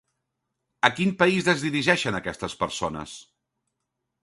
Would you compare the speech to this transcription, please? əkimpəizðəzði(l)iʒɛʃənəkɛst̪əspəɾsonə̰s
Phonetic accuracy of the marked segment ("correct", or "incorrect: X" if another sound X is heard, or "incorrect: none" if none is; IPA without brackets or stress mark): incorrect: ɾ